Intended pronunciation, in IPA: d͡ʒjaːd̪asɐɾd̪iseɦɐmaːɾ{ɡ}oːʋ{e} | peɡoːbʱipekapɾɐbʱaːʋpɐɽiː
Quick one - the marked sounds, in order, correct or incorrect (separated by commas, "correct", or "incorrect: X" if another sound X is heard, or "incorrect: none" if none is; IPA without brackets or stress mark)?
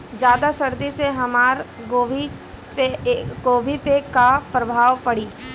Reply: correct, incorrect: i